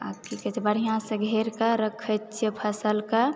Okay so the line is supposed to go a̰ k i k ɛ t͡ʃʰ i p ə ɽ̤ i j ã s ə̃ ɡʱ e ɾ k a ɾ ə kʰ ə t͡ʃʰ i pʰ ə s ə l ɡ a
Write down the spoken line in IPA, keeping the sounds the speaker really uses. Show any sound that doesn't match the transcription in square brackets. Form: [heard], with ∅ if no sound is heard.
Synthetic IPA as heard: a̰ k i k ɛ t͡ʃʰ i [b] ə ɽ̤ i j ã s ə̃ ɡʱ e ɾ k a ɾ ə kʰ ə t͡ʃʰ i pʰ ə s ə l [k] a